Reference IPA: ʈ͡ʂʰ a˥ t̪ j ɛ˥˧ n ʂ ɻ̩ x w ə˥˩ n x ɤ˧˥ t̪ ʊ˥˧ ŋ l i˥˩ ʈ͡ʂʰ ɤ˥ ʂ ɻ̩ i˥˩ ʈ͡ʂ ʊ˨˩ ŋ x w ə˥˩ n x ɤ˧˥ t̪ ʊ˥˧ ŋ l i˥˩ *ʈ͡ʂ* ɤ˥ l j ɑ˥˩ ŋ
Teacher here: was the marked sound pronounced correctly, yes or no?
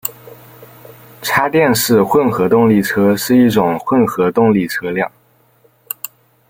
no